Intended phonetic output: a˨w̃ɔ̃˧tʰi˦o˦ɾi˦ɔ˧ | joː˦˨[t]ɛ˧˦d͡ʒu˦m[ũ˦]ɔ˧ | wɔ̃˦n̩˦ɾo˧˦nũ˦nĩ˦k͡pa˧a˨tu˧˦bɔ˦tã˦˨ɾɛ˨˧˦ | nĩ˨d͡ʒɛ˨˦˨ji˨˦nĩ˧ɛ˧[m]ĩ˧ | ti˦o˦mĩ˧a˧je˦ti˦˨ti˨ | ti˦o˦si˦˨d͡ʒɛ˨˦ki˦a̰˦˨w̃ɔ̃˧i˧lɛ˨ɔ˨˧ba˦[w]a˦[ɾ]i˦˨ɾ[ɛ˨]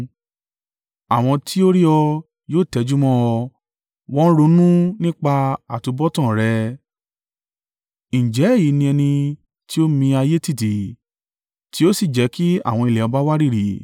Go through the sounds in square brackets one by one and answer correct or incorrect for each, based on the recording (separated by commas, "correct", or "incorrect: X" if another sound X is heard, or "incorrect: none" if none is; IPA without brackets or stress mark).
correct, incorrect: ɔ̃˦, incorrect: n, correct, correct, incorrect: i˨